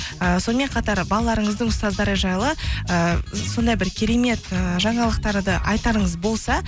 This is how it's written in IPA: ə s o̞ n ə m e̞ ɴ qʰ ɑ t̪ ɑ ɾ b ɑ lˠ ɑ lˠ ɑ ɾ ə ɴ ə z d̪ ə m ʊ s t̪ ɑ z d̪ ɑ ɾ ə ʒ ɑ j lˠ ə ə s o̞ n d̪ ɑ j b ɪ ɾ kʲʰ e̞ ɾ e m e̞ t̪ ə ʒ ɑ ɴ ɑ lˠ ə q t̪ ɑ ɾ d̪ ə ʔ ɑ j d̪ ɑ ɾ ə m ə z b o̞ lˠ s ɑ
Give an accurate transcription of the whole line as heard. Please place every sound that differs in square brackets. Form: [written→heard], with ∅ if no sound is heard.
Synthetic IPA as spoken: ə s o̞ n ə m e̞ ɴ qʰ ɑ t̪ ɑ ɾ b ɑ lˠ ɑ lˠ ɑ ɾ ə ɴ ə z d̪ ə [m→ɴ] ʊ s t̪ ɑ z d̪ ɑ ɾ ə ʒ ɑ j lˠ ə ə s o̞ n d̪ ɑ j b ɪ ɾ kʲʰ e̞ ɾ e m e̞ t̪ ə ʒ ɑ ɴ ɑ lˠ ə q t̪ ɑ ɾ d̪ ə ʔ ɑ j [d̪→t̪] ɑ ɾ ə [m→ɴ] ə z b o̞ lˠ s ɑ

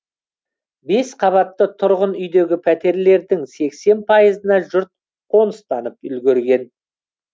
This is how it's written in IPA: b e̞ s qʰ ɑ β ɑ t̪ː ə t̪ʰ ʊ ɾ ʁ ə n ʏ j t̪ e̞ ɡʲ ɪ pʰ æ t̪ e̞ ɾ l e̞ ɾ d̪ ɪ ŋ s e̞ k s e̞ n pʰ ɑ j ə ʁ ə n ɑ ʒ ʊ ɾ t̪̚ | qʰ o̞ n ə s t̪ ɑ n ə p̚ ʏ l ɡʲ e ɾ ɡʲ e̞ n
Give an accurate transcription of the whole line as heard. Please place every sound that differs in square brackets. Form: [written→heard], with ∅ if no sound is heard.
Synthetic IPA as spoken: b e̞ s qʰ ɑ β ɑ t̪ː ə t̪ʰ ʊ ɾ ʁ ə n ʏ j [t̪→d̪] e̞ ɡʲ ɪ pʰ æ t̪ e̞ ɾ l e̞ ɾ d̪ ɪ ŋ s e̞ k s e̞ n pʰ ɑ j ə [ʁ→z] ə n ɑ ʒ ʊ ɾ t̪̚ | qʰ o̞ n ə s t̪ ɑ n ə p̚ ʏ l ɡʲ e ɾ ɡʲ e̞ n

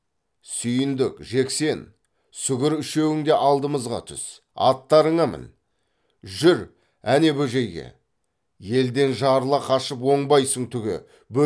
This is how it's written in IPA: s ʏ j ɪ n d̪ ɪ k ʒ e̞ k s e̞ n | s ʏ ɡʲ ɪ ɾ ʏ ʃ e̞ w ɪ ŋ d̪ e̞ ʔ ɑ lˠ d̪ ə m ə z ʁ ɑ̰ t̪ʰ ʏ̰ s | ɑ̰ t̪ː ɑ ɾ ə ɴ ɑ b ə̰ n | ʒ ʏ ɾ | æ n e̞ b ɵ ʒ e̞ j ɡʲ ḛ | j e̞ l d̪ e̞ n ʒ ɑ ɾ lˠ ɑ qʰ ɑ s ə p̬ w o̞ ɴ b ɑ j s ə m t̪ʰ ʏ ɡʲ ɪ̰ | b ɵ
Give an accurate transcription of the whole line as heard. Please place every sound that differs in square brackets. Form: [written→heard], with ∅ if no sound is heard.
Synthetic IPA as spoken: s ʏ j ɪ n d̪ ɪ k ʒ e̞ k s e̞ n | s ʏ ɡʲ ɪ ɾ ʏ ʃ e̞ w ɪ ŋ d̪ e̞ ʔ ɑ lˠ d̪ ə m ə z ʁ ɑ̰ t̪ʰ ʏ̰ s | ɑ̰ t̪ː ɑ ɾ ə ɴ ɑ [b→m] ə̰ n | ʒ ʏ ɾ | æ n e̞ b ɵ ʒ e̞ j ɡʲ ḛ | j e̞ l d̪ e̞ n ʒ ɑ ɾ lˠ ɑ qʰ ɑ [s→ʃ] ə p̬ w o̞ ɴ b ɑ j s ə [m→ɴ] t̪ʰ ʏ ɡʲ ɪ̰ | b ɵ

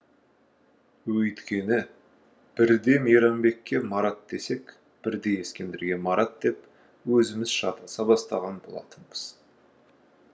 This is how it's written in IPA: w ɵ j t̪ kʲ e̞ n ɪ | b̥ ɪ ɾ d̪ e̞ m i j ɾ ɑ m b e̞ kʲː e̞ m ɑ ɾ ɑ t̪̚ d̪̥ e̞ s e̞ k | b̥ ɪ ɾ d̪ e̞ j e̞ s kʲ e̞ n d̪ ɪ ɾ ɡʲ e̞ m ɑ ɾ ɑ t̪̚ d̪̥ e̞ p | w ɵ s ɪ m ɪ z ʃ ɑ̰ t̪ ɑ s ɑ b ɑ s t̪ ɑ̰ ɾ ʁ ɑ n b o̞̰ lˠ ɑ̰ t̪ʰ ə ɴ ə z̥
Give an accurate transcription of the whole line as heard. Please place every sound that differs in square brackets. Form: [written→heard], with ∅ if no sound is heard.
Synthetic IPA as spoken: w ɵ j t̪ kʲ e̞ n ɪ | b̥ ɪ ɾ d̪ e̞ m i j ɾ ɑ m b e̞ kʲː e̞ m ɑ ɾ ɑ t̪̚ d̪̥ e̞ s e̞ k | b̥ ɪ ɾ d̪ e̞ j e̞ s kʲ e̞ n d̪ ɪ ɾ ɡʲ e̞ m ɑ ɾ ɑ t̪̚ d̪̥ e̞ p | w ɵ [s→z] ɪ m ɪ z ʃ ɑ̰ t̪ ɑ s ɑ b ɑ s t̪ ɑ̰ [ɾ→∅] ʁ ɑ n b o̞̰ lˠ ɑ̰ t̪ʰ ə ɴ ə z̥

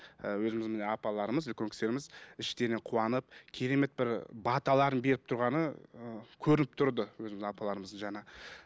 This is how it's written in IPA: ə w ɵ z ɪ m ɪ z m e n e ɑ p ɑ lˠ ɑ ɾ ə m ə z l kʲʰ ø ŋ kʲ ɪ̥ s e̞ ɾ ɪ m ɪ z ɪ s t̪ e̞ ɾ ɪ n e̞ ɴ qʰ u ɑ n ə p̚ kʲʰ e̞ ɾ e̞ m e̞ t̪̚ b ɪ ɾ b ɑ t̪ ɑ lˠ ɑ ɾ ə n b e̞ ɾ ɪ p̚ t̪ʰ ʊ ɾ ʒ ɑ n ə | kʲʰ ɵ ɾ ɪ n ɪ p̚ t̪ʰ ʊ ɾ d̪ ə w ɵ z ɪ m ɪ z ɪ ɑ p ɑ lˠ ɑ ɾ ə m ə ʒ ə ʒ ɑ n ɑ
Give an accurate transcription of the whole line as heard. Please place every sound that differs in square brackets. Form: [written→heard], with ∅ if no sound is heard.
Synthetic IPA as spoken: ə w ɵ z ɪ m ɪ z m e n e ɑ p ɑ lˠ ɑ ɾ ə m ə z l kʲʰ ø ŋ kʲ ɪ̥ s e̞ ɾ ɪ m ɪ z ɪ [s→ʃ] t̪ e̞ ɾ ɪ n e̞ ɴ qʰ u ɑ n ə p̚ kʲʰ e̞ ɾ e̞ m e̞ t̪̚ b ɪ ɾ b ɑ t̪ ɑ lˠ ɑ ɾ ə n b e̞ ɾ ɪ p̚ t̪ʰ ʊ ɾ [ʒ→ʁ] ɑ n ə | kʲʰ ɵ ɾ ɪ n ɪ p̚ t̪ʰ ʊ ɾ d̪ ə w ɵ z ɪ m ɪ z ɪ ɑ p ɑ lˠ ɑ ɾ ə m ə [ʒ→z] ə ʒ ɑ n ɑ

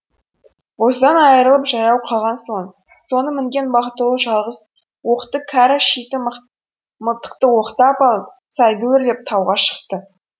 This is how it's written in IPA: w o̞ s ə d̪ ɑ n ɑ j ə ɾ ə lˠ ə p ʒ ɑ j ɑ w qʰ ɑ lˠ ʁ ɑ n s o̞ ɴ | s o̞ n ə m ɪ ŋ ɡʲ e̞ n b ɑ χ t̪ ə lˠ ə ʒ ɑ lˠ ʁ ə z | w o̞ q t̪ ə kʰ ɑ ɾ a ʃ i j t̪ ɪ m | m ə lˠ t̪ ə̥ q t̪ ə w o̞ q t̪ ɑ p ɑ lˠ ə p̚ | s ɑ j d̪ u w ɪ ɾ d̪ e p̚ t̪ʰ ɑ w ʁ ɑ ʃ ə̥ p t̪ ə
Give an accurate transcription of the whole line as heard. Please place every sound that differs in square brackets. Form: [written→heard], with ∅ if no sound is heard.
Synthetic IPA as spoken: w o̞ s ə d̪ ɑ n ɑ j ə ɾ ə lˠ ə p ʒ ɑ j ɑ w qʰ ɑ lˠ ʁ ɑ n s o̞ ɴ | s o̞ n ə m ɪ ŋ ɡʲ e̞ n b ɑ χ t̪ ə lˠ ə ʒ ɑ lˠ ʁ ə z | w o̞ q t̪ ə kʰ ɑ ɾ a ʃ i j t̪ ɪ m | m ə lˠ t̪ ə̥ q t̪ ə w o̞ q t̪ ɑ p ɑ lˠ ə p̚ | s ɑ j d̪ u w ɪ ɾ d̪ e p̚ t̪ʰ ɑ w ʁ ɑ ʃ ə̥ [p→q] t̪ ə

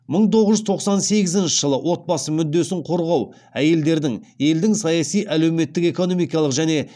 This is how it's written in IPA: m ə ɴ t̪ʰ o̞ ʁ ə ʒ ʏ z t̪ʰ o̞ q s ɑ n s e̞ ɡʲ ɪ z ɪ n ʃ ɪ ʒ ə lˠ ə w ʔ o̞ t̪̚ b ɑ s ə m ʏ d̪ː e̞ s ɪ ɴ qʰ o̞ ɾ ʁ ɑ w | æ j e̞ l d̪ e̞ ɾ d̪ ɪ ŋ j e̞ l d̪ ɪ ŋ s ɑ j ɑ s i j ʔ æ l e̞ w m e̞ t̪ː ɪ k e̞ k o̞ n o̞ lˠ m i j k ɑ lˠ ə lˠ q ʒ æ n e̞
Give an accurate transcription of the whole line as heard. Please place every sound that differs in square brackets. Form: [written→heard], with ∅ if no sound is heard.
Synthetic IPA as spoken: m ə ɴ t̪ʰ o̞ ʁ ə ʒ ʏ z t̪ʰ o̞ q s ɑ n s e̞ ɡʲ ɪ z ɪ n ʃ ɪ ʒ ə lˠ ə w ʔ o̞ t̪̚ b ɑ s ə m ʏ d̪ː e̞ s ɪ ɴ qʰ o̞ ɾ ʁ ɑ w | æ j e̞ l d̪ e̞ ɾ d̪ ɪ ŋ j e̞ l d̪ ɪ ŋ s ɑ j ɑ s i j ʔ æ l e̞ w m e̞ t̪ː ɪ k e̞ k o̞ n o̞ [lˠ→∅] m i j k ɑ lˠ ə [lˠ→∅] q ʒ æ n e̞

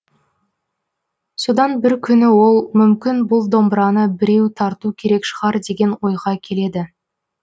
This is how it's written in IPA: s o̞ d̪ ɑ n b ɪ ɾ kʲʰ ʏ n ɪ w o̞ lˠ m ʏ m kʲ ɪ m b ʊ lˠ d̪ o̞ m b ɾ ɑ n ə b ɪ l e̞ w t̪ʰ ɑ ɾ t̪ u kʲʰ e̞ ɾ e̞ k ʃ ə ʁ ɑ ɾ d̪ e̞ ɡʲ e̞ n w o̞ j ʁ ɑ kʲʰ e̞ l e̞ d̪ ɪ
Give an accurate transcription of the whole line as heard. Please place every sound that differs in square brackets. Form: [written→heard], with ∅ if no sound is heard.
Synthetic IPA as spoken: s o̞ d̪ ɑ n b ɪ ɾ kʲʰ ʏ n ɪ w o̞ lˠ m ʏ m kʲ ɪ [m→n] b ʊ lˠ d̪ o̞ m b ɾ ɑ n ə b ɪ [l→ɾ] e̞ w t̪ʰ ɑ ɾ t̪ u kʲʰ e̞ ɾ e̞ k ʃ ə ʁ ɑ ɾ d̪ e̞ ɡʲ e̞ n w o̞ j ʁ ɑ kʲʰ e̞ l e̞ d̪ ɪ

